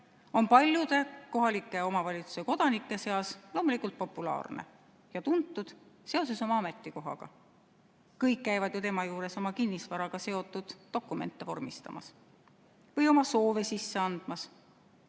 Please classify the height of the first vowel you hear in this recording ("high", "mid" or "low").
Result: mid